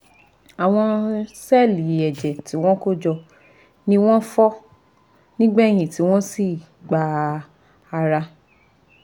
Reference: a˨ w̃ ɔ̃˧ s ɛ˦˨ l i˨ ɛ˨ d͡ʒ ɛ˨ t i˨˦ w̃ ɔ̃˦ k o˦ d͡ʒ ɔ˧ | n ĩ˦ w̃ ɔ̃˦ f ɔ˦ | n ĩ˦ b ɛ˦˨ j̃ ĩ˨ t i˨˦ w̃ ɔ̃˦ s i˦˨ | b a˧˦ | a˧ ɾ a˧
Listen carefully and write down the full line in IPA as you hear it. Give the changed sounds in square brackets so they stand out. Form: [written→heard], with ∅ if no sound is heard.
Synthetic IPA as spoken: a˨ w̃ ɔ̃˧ s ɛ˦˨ l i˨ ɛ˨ d͡ʒ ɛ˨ t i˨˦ w̃ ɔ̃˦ k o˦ d͡ʒ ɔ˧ | n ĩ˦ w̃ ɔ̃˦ f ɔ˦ | n ĩ˦ [b→ɡ͡b] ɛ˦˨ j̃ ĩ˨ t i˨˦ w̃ ɔ̃˦ s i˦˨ | [b→ɡ͡b] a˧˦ | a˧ ɾ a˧

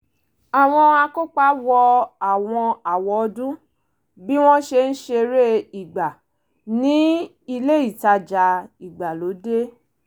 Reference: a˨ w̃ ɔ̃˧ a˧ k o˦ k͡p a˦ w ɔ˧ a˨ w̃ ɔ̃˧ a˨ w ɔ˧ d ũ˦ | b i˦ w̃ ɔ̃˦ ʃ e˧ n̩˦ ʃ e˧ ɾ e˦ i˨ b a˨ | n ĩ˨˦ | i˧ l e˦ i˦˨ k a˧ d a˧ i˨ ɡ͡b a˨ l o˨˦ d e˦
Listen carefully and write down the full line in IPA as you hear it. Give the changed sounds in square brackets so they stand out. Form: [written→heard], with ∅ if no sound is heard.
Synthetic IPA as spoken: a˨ w̃ ɔ̃˧ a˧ k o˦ k͡p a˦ w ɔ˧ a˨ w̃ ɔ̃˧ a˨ w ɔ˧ d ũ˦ | b i˦ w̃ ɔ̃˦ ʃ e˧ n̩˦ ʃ e˧ ɾ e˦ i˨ [b→ɡ͡b] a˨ | n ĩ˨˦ | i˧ l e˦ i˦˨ [k→t] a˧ [d→d͡ʒ] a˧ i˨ ɡ͡b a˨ l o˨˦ d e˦

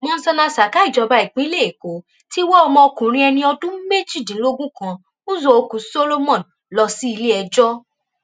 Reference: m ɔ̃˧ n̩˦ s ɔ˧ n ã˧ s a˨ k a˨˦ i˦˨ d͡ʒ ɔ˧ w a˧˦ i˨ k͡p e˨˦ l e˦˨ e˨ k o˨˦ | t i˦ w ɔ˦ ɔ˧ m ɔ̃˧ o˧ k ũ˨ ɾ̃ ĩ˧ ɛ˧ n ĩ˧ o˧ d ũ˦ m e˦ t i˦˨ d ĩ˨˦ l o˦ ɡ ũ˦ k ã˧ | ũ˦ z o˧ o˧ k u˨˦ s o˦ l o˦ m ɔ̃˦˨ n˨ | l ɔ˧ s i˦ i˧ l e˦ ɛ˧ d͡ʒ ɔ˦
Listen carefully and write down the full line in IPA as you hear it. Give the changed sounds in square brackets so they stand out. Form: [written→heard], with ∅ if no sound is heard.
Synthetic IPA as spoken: m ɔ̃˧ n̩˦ s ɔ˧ n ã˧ s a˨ k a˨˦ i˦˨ d͡ʒ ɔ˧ [w→b] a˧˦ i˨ k͡p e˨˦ l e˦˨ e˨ k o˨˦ | t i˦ w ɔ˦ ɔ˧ m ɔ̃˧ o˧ k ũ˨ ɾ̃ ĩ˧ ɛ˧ n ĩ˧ [o˧→ɔ˧] d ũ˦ m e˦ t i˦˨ d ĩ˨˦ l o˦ ɡ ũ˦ k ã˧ | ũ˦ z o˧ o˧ k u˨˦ s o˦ l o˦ m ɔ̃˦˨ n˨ | l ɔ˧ s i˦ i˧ l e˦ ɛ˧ d͡ʒ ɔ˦

